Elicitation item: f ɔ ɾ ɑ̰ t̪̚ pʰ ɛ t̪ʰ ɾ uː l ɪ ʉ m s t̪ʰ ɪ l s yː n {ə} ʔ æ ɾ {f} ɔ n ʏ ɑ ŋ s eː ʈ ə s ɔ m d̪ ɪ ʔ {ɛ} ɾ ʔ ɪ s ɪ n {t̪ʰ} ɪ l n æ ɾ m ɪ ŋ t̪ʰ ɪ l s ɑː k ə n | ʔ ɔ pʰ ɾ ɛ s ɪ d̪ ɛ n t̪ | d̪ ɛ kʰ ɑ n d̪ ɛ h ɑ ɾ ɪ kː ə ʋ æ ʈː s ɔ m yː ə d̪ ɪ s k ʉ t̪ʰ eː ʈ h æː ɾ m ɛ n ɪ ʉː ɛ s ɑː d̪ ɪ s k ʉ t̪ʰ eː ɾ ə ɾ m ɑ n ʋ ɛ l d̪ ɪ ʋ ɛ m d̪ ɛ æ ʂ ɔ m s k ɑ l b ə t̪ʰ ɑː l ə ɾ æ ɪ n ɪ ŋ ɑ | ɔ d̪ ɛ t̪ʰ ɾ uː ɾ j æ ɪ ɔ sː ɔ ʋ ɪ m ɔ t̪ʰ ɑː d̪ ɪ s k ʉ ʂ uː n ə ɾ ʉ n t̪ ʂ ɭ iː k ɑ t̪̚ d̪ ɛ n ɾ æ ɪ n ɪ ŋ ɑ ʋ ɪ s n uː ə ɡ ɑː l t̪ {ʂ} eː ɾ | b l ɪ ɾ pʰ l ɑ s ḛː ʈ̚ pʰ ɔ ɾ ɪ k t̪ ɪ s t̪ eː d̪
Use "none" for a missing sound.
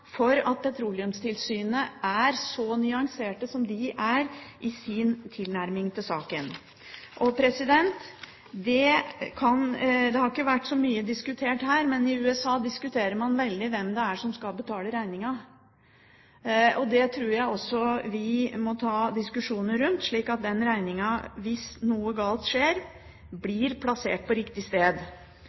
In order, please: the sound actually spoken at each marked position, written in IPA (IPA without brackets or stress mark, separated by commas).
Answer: ə, s, æ, t̪ʰ, ʂ